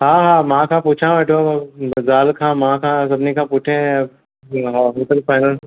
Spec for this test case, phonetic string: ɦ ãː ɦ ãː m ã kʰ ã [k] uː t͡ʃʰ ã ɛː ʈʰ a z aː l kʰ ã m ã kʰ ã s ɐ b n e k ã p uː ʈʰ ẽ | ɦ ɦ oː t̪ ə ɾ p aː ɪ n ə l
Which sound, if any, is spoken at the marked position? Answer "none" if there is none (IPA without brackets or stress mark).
p